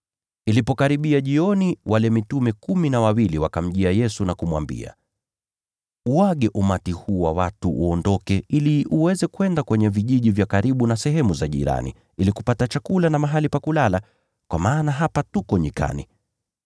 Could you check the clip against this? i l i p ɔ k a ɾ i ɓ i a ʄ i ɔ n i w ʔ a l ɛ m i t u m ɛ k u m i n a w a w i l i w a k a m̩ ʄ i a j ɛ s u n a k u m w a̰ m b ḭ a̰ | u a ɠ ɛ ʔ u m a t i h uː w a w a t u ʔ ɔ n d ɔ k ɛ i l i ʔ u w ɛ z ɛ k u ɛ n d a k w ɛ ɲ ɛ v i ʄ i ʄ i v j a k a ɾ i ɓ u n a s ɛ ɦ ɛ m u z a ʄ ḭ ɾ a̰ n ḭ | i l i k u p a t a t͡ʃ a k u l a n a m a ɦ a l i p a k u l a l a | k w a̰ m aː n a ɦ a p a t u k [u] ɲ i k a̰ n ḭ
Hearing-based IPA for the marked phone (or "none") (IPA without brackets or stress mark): ɔ